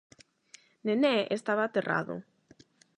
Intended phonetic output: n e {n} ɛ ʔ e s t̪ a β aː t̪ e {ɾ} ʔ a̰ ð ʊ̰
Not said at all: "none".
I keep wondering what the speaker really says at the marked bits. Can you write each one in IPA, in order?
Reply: n, r

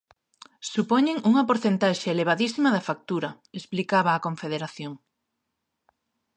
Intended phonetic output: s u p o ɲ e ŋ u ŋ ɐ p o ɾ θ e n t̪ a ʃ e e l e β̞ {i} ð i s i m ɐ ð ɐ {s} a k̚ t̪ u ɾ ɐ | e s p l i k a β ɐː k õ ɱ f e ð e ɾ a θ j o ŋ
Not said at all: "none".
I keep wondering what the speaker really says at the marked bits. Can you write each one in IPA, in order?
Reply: a, f

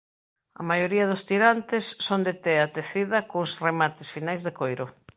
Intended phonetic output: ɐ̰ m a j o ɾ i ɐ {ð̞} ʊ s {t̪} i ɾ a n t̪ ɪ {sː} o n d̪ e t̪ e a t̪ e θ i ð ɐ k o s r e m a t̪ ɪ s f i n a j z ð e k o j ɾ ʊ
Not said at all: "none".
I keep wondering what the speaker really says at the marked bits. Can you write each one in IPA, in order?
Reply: ð̞, t̪, sː

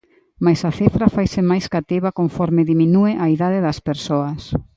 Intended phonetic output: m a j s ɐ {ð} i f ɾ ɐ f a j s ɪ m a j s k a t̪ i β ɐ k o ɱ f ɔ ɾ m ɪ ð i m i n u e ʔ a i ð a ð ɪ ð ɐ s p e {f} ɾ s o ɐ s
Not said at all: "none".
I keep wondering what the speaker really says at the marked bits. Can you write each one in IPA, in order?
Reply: θ, none

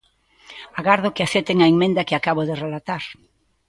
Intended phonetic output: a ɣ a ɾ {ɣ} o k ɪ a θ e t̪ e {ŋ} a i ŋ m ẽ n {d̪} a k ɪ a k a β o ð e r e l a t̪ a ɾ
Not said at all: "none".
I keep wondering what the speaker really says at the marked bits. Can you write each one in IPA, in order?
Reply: ð, ŋ, d̪

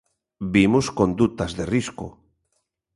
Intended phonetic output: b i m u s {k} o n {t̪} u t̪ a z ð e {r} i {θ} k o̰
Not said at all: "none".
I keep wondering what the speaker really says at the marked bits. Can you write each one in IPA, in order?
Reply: k, d̪, r, s

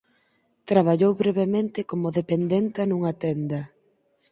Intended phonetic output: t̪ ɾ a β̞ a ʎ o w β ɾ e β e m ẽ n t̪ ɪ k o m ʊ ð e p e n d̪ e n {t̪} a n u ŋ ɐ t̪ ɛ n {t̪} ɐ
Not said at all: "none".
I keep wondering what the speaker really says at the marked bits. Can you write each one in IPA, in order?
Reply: t̪, d̪

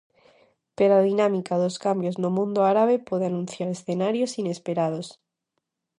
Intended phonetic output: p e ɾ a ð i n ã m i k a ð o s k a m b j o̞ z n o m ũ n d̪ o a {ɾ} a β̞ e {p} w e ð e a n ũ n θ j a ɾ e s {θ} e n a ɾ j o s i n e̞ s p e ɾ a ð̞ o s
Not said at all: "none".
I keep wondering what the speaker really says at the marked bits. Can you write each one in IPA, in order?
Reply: ɾ, p, θ

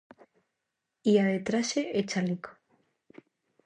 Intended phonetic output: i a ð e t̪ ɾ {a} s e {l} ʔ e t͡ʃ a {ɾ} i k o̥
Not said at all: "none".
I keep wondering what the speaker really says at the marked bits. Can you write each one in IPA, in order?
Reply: a, none, l

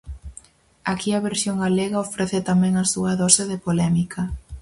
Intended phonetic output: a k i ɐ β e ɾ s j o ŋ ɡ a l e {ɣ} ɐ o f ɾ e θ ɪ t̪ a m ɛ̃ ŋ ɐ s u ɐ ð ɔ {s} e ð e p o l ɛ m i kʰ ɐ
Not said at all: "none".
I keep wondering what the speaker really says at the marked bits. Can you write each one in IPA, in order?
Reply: ɣ, s

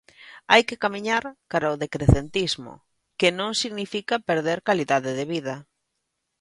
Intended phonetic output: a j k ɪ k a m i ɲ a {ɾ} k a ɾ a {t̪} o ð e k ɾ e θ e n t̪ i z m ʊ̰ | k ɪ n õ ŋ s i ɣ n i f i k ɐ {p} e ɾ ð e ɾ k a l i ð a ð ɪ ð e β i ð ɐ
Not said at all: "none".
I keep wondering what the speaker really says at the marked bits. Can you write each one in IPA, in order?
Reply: ɾ, none, p

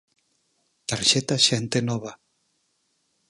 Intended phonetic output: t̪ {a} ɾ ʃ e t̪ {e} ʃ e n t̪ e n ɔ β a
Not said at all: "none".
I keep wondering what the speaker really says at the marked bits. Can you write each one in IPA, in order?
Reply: a, a

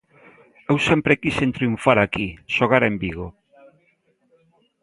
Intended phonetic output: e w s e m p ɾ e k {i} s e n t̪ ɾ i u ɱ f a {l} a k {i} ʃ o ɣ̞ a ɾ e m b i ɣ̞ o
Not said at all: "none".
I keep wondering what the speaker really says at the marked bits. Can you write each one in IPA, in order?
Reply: i, ɾ, i

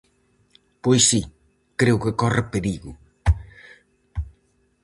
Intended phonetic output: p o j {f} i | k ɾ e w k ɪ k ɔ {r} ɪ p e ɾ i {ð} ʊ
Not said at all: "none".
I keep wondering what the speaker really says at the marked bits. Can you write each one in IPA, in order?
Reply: s, r, ɣ

